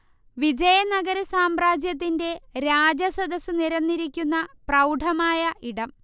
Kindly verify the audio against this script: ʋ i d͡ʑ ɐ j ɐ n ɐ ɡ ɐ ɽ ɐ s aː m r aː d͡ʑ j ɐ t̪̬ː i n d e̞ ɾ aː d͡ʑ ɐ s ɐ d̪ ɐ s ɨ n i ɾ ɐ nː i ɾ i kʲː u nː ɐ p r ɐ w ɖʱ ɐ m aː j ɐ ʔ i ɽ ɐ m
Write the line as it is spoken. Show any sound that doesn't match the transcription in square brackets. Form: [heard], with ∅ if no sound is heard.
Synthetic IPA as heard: ʋ i d͡ʑ ɐ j ɐ n ɐ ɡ ɐ [ɾ] ɐ s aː m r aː d͡ʑ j ɐ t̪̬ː i n d e̞ ɾ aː d͡ʑ ɐ s ɐ d̪ ɐ s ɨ n i ɾ ɐ nː i ɾ i kʲː u nː ɐ p r ɐ w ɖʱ ɐ m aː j ɐ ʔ i ɽ ɐ m